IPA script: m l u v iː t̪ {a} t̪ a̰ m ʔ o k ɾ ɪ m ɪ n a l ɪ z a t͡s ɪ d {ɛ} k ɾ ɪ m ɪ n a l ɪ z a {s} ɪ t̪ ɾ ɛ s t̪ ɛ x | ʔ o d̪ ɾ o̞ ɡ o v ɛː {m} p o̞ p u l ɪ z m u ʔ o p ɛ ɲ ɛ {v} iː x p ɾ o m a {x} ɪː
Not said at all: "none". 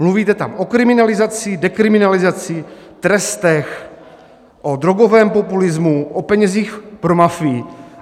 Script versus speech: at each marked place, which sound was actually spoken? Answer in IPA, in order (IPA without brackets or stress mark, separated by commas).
ɛ, ɛ, t͡s, m, z, f